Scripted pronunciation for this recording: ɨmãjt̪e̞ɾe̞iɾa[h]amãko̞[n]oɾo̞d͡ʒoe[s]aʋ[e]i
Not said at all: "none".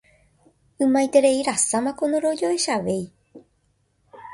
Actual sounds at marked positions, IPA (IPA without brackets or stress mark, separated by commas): s, n, ʃ, e